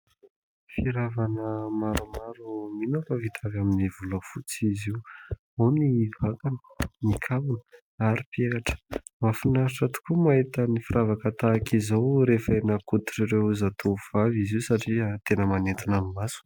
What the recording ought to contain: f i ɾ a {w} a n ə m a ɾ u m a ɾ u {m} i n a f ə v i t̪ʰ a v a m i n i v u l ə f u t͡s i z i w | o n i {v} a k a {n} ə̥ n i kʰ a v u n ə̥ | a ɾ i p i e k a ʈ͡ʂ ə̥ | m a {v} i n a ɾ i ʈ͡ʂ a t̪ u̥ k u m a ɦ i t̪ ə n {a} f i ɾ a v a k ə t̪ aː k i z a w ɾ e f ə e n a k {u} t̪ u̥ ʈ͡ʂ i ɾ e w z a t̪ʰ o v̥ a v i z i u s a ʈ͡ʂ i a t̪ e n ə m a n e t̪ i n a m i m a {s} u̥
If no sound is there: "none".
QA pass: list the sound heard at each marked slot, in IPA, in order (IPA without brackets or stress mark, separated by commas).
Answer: v, m, v, n, f, i, u, s